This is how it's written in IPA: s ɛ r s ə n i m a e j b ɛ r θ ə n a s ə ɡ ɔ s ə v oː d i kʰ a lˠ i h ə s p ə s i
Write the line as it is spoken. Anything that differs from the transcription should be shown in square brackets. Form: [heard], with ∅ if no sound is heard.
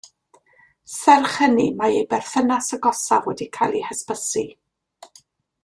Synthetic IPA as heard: s ɛ r [χ] ə n i m a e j b ɛ r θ ə n a s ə ɡ ɔ s [a] v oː d i kʰ a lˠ i h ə s p ə s i

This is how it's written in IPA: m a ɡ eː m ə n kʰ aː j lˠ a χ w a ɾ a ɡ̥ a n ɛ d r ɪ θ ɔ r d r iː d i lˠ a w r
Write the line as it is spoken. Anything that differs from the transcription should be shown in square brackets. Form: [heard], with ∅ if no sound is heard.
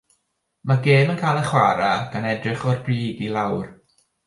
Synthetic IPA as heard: m a ɡ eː m ə n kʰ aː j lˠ [ə] χ w a ɾ a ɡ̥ a n ɛ d r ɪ [χ] ɔ r [b] r iː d i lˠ a w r

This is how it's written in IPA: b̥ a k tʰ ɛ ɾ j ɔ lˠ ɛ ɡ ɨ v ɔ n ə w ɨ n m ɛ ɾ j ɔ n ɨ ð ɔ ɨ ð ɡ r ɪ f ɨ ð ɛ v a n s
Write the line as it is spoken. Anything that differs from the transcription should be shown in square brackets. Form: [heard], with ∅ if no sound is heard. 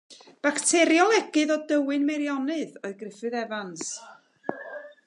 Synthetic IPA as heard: b̥ a k tʰ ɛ ɾ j ɔ lˠ ɛ ɡ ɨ [ð] ɔ [d] ə w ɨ n m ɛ ɾ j ɔ n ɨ ð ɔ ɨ ð ɡ r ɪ f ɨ ð ɛ v a n s

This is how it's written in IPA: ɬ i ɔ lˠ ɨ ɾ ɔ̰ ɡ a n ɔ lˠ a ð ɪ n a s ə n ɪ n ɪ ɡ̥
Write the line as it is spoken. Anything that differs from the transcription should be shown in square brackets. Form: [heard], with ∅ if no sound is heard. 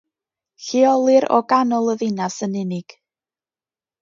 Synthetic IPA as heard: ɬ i ɔ lˠ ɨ ɾ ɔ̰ ɡ a n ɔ lˠ [ə] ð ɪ n a s ə n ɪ n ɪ ɡ̥

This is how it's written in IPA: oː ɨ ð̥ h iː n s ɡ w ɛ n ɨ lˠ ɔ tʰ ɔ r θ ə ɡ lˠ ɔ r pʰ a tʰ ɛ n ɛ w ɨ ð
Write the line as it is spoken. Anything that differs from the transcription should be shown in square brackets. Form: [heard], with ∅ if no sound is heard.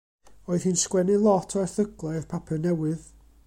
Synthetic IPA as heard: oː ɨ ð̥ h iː n s [k] w ɛ n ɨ lˠ ɔ tʰ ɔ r θ ə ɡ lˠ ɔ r pʰ a [pʰ] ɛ n ɛ w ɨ ð

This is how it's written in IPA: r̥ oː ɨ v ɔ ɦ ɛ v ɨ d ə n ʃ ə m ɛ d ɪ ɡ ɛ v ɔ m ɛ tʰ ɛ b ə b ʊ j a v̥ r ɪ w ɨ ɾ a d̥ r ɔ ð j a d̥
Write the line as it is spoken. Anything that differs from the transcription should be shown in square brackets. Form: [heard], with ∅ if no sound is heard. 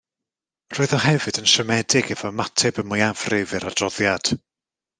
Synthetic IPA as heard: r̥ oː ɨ [ð] ɔ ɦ ɛ v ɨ d ə n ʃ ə m ɛ d ɪ ɡ ɛ v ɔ m [a] tʰ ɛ b ə [m] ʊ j a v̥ r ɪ [v] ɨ ɾ a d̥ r ɔ ð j a d̥

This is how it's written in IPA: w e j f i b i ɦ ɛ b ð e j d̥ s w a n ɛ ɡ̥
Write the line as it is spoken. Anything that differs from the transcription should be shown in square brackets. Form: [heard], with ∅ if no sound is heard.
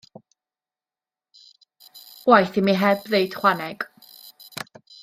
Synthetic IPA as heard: w [a] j [θ] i [m] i ɦ ɛ b ð e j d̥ [χ] w a n ɛ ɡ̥

